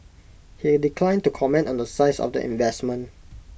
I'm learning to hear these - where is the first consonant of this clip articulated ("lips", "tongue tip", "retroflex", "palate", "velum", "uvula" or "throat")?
throat